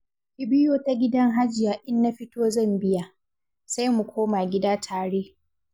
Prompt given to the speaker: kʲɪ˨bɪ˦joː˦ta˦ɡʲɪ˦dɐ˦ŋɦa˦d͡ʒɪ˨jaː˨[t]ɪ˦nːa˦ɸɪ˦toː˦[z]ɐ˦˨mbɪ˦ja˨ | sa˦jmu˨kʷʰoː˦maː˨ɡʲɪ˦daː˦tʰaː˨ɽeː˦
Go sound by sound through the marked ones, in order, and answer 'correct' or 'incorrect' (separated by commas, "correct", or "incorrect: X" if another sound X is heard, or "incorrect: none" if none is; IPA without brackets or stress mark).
incorrect: ʔ, correct